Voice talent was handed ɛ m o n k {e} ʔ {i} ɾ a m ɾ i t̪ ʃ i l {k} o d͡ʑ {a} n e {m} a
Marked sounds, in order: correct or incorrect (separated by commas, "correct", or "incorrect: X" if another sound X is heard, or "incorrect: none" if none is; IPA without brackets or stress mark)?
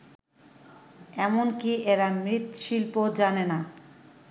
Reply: incorrect: i, incorrect: e, incorrect: p, correct, incorrect: n